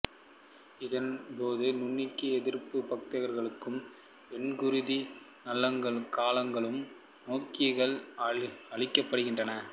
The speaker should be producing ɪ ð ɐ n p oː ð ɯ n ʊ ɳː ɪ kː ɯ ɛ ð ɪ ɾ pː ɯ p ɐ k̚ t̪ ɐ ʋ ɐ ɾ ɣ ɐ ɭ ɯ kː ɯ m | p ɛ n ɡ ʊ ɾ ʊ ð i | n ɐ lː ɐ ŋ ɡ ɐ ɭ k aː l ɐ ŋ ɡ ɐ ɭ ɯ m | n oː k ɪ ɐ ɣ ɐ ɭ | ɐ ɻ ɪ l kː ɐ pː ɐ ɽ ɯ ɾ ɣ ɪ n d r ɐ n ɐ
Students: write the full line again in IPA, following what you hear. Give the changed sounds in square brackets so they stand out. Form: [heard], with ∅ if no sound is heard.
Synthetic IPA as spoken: ɪ ð ɐ n p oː ð ɯ n ʊ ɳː ɪ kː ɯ ɛ ð ɪ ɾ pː ɯ p ɐ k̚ t̪ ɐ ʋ ɐ ɾ ɣ ɐ ɭ ɯ kː ɯ m | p ɛ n ɡ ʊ ɾ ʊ ð i | n ɐ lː ɐ ŋ ɡ ɐ ɭ k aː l ɐ ŋ ɡ ɐ ɭ ɯ m | n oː k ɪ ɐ ɣ ɐ ɭ | ɐ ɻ ɪ [∅] kː ɐ pː ɐ ɽ ɯ [∅] ɣ ɪ n d r ɐ n ɐ